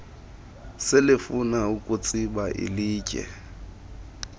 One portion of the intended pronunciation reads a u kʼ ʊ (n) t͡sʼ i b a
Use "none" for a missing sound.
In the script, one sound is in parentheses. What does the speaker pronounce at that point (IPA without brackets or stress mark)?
none